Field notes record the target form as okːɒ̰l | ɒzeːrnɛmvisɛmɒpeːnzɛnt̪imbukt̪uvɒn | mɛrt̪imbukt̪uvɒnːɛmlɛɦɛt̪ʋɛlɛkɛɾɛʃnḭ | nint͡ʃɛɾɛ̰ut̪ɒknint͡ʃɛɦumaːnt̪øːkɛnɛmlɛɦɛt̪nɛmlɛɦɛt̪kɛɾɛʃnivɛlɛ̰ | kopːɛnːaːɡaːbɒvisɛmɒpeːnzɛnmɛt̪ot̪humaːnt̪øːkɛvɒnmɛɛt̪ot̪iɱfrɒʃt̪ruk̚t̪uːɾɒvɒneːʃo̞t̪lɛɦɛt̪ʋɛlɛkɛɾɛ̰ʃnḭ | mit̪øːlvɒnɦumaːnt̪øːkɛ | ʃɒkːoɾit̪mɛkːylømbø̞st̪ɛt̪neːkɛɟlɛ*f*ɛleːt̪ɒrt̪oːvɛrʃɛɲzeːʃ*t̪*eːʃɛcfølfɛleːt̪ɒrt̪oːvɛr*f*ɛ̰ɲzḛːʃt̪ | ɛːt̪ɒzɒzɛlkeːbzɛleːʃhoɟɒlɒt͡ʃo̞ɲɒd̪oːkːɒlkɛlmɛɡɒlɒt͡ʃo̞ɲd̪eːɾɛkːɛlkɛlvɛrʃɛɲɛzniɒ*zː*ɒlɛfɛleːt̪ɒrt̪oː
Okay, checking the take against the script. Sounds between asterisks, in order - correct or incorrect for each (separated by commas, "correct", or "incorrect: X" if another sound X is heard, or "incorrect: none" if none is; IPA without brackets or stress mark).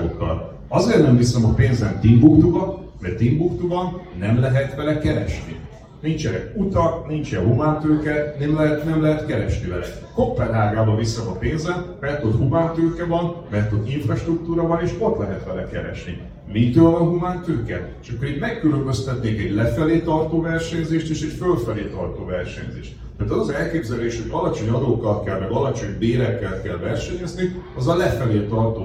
correct, correct, incorrect: ʃ, incorrect: z